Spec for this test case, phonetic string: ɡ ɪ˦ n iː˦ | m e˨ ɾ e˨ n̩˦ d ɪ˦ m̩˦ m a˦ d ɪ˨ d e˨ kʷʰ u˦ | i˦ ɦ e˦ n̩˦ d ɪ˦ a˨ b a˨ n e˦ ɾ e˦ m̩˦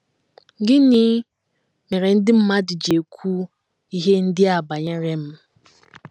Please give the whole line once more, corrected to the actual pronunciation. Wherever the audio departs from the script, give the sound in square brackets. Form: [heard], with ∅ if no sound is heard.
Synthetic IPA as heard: ɡ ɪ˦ n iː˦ | m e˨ ɾ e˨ n̩˦ d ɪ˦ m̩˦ m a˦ d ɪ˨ [d͡ʒ] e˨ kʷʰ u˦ | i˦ ɦ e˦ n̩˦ d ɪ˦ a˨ b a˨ [ɲ] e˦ ɾ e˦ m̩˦